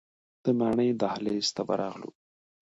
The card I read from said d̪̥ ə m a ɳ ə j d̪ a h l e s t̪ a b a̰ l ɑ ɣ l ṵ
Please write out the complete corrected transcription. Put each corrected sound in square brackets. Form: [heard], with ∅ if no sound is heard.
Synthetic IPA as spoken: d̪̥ ə m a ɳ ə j d̪ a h l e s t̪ a b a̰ [ɾ] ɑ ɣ l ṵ